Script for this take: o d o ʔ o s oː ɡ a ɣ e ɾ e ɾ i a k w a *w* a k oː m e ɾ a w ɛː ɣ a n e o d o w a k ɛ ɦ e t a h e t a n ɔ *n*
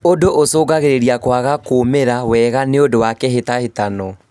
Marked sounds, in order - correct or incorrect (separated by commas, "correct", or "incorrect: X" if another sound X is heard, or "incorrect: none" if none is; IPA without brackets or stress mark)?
incorrect: ɣ, incorrect: none